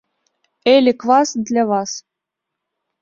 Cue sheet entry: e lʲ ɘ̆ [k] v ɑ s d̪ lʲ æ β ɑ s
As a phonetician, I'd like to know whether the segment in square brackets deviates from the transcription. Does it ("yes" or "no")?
no